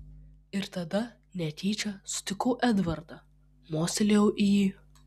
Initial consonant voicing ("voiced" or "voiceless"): voiced